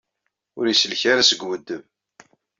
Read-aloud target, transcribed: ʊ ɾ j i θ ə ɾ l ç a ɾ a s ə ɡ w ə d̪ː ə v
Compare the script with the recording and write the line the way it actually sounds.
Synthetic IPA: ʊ ɾ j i s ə l ç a ɾ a s ə ɡ w ə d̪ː ə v